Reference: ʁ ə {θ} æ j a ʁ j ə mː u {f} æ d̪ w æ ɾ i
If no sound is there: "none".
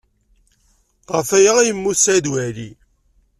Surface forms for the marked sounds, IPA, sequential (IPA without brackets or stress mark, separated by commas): f, s